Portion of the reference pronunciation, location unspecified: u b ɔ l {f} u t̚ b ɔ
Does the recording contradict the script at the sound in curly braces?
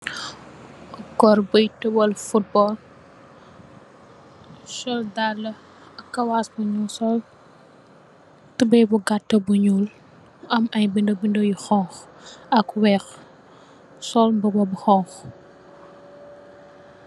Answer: no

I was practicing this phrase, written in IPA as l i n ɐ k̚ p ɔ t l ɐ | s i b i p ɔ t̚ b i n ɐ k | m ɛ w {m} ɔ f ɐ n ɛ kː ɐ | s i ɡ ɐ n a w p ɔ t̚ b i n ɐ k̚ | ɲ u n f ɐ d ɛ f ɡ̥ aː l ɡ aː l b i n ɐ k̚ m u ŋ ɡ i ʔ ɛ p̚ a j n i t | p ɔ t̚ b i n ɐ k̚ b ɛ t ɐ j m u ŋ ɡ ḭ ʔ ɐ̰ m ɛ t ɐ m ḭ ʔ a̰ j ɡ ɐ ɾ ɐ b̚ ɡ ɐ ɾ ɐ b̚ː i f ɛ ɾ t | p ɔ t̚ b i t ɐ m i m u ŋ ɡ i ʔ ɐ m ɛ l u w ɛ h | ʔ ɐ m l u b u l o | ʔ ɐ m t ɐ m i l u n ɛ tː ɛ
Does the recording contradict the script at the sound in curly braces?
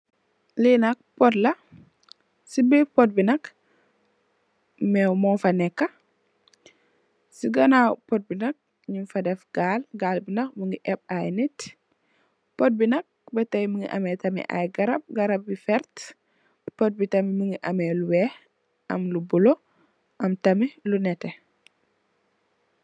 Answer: no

